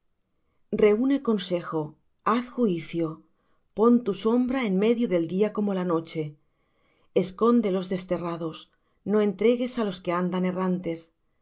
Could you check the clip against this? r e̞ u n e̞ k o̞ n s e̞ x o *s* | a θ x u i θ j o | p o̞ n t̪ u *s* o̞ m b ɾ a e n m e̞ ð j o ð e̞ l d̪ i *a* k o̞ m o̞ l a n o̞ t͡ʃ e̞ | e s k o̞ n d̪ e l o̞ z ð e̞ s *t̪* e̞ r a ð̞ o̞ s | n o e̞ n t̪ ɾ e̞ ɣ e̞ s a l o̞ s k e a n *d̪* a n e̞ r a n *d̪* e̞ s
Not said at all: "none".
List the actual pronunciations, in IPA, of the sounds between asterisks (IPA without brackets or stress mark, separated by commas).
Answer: none, s, a, t̪, d̪, t̪